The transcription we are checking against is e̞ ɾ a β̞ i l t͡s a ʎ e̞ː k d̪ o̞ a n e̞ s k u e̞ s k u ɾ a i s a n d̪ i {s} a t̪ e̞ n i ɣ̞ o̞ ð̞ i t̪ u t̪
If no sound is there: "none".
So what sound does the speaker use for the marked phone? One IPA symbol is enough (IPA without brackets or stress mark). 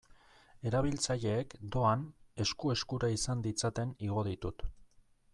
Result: t͡s